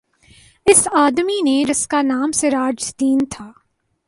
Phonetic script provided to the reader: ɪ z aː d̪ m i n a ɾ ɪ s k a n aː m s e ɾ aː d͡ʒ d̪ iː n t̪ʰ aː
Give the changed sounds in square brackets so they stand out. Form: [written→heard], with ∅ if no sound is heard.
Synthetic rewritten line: ɪ [z→s] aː d̪ m i n [a→e] ɾ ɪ s k a n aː m s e ɾ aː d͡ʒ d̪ iː n t̪ʰ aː